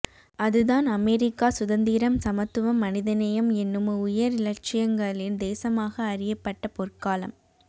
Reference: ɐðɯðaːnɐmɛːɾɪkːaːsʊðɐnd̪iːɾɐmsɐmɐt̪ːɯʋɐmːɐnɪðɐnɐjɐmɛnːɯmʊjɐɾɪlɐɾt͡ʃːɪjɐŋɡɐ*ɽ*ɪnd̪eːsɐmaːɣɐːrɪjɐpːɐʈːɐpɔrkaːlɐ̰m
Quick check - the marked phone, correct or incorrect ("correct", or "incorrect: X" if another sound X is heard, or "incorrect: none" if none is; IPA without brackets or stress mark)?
incorrect: ɭ